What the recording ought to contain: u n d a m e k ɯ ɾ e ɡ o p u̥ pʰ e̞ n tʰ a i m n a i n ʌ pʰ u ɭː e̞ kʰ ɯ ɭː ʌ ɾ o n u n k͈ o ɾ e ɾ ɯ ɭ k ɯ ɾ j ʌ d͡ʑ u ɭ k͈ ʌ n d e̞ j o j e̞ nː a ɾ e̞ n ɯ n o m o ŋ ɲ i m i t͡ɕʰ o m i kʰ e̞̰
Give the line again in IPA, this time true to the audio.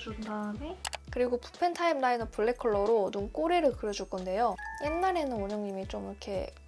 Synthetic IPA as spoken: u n d a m e k ɯ ɾ i ɡ o p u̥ pʰ e̞ n tʰ a i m n a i n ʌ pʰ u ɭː e̞ kʰ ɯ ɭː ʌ ɾ o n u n k͈ o ɾ e ɾ ɯ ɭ k ɯ ɾ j ʌ d͡ʑ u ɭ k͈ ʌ n d e̞ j o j e̞ nː a ɾ e̞ n ɯ n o ɲ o ŋ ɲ i m i t͡ɕ o m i kʰ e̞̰